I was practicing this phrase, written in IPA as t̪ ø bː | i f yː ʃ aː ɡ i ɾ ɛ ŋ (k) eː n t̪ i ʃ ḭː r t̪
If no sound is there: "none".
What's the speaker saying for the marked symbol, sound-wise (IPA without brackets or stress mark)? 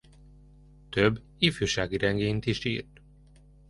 ɡ